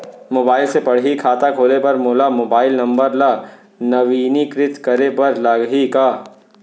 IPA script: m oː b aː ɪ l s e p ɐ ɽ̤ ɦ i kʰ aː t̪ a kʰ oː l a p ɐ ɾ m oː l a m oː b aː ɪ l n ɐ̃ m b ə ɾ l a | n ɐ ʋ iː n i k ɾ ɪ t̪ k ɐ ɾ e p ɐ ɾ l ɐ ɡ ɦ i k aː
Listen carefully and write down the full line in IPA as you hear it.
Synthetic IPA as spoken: m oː b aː ɪ l s e p ɐ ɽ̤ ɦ i kʰ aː t̪ a kʰ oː l e p ɐ ɾ m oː l a m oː b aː ɪ l n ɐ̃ m b ə ɾ l a | n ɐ ʋ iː n i k ɾ ɪ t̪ k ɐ ɾ e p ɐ ɾ l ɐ ɡ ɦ i k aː